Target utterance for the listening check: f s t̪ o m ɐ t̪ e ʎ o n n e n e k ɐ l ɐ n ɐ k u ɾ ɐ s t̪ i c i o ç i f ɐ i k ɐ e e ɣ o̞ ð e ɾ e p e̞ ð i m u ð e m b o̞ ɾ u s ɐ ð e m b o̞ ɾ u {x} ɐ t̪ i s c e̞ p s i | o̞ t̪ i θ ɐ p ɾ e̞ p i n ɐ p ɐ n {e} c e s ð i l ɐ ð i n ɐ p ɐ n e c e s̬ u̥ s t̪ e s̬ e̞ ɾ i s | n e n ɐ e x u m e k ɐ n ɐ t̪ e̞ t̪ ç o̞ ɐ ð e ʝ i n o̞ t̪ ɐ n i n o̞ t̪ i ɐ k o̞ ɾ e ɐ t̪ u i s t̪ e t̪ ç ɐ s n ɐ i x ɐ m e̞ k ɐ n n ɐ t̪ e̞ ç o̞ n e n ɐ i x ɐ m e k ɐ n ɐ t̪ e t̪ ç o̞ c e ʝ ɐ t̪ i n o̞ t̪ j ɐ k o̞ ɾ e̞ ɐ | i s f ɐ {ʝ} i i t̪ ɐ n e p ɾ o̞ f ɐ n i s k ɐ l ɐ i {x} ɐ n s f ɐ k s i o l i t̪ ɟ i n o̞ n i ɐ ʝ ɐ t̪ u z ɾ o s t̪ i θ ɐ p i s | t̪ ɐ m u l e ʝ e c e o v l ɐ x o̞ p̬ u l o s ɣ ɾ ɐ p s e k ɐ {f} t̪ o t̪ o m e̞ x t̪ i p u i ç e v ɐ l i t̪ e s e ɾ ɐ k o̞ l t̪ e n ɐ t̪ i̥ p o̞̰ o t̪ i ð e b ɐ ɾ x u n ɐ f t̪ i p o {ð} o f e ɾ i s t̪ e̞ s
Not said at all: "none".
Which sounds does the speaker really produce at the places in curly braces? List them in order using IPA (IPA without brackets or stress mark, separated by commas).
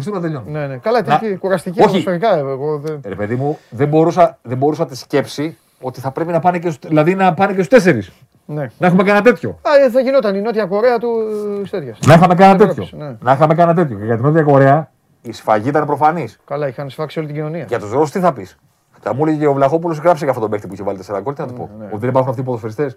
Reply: s, e, ʝ, x, f, ð